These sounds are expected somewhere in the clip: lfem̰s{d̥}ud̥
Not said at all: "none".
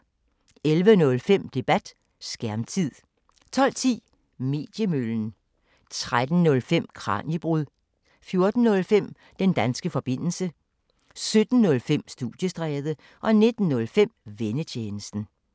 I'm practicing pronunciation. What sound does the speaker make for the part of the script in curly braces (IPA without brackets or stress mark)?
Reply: d̥